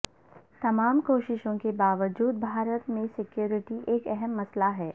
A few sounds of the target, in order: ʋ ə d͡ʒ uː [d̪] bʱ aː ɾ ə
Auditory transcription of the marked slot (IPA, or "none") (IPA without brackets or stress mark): d̪